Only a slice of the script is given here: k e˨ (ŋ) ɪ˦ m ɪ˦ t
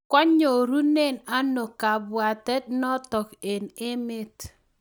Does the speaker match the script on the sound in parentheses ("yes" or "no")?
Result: no